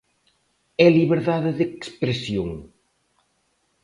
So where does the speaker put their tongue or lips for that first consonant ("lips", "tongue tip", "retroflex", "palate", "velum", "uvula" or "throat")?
tongue tip